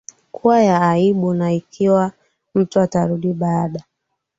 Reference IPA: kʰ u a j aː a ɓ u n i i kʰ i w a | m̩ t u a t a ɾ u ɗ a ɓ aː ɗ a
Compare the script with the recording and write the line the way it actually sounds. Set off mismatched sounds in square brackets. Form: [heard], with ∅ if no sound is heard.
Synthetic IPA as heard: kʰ u a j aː [i] ɓ u n [a] i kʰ i w a | m̩ t u a t a ɾ u ɗ [i] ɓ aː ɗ a